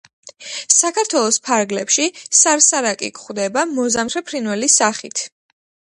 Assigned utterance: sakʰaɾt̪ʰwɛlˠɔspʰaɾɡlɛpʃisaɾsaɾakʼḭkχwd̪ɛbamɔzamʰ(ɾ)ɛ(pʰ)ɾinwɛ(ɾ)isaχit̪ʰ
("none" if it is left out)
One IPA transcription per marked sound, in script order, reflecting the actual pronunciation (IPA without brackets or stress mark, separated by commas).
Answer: ɾ, pʰ, l